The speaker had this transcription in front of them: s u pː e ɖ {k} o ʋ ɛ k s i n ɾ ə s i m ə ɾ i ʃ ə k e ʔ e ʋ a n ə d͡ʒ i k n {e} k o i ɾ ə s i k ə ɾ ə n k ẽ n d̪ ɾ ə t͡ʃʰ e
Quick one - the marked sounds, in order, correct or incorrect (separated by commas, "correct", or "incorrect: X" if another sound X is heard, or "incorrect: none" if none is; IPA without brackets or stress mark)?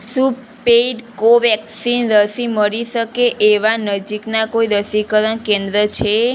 correct, incorrect: a